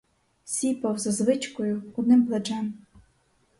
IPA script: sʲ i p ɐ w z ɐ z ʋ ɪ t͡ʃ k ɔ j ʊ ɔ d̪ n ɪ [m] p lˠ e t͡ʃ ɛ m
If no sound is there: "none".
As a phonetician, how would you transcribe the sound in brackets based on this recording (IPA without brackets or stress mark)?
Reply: m